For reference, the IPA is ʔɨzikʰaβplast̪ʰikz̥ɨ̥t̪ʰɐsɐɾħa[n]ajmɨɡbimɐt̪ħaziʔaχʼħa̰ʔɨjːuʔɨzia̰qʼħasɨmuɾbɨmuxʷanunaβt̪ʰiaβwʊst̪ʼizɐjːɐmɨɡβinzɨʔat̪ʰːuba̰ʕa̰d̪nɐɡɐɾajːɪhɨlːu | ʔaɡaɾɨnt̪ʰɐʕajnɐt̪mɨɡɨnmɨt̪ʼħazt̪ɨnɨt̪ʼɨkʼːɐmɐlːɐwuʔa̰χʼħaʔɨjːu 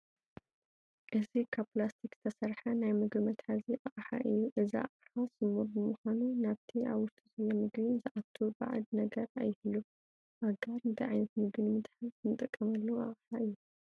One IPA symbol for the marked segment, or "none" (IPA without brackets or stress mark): n